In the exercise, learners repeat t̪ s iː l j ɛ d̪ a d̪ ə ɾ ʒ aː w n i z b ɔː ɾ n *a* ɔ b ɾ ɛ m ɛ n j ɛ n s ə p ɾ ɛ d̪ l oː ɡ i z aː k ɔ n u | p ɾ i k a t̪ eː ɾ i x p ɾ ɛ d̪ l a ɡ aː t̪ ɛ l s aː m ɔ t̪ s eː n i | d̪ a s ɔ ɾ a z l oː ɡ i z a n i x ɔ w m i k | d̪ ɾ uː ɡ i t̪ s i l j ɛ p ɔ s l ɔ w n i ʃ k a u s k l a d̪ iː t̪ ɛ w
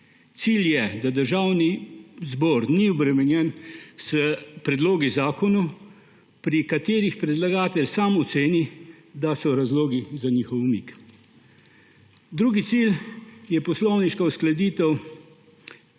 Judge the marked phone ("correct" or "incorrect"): incorrect